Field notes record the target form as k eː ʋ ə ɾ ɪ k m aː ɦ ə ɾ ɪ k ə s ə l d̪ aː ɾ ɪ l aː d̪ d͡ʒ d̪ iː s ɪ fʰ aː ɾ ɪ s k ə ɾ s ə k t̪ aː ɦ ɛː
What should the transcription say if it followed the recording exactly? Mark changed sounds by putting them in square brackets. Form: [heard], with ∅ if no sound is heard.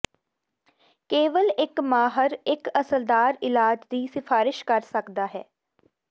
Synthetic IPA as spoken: k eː ʋ ə [l] ɪ k m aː ɦ ə ɾ ɪ k ə s ə l d̪ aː ɾ ɪ l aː [∅] d͡ʒ d̪ iː s ɪ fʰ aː ɾ ɪ [ʃ] k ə ɾ s ə k [d̪] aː ɦ ɛː